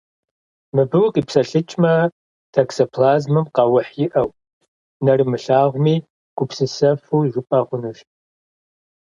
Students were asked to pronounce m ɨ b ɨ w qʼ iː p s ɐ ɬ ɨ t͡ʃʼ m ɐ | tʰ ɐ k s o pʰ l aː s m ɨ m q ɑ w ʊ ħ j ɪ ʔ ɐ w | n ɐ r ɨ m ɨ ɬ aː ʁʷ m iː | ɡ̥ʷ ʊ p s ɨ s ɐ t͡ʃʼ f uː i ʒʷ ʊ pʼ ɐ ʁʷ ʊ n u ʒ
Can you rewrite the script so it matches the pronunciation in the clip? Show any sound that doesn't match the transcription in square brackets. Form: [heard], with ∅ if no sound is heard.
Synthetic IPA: m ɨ b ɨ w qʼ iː p s ɐ ɬ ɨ t͡ʃʼ m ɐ | tʰ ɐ k s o pʰ l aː [z] m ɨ m q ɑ w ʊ ħ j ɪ ʔ ɐ w | n ɐ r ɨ m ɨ ɬ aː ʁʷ m iː | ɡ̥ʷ ʊ p s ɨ s ɐ [∅] f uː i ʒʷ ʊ pʼ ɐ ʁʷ ʊ n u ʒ